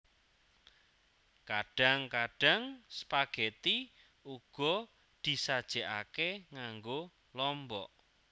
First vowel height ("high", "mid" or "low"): low